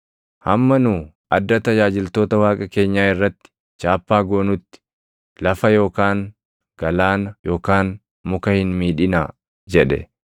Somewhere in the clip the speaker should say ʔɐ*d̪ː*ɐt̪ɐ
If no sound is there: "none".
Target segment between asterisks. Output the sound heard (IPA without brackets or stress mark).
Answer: d̪ː